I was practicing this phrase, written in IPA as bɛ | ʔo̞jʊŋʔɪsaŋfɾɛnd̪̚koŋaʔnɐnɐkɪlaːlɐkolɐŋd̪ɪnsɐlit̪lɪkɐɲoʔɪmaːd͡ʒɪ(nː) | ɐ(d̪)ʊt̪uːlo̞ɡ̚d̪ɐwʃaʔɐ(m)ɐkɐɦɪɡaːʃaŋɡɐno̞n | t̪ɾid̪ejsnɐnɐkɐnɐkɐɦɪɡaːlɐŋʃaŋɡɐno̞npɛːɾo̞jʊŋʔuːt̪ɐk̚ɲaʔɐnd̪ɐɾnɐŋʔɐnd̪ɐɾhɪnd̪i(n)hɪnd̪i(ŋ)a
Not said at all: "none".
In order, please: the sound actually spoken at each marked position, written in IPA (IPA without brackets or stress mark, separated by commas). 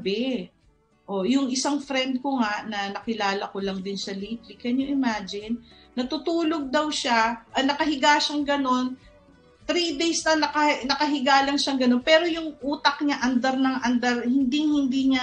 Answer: nː, t̪, n, ŋ, ɲ